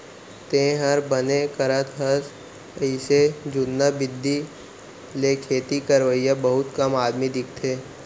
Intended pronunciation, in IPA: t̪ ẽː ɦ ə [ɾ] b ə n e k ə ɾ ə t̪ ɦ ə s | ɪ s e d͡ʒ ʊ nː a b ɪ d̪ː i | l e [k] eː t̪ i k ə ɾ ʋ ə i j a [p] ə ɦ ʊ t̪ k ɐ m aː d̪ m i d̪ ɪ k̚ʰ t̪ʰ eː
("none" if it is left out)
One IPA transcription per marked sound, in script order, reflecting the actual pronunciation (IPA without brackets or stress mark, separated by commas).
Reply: ɾ, kʰ, b